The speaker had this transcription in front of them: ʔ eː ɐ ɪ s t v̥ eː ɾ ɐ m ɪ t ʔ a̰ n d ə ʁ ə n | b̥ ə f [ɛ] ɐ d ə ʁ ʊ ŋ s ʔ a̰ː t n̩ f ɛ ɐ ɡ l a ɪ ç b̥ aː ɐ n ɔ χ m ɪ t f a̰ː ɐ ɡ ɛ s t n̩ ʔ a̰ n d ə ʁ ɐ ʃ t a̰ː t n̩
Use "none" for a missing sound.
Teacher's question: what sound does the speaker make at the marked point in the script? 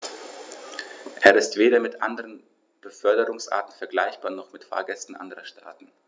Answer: œ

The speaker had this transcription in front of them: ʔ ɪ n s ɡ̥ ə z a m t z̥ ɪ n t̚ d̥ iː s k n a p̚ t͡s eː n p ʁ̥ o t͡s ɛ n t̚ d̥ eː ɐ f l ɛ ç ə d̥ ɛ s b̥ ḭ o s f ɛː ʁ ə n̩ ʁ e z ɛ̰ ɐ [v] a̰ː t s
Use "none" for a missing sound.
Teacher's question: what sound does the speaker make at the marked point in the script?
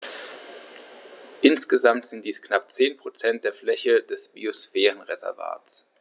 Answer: v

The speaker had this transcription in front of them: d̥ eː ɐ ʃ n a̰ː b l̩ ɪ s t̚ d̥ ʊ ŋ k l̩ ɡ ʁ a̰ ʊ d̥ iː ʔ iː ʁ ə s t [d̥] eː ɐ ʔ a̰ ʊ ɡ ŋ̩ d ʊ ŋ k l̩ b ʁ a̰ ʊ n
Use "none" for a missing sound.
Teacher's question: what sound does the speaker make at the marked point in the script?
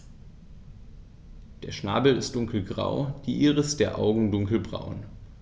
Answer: d̥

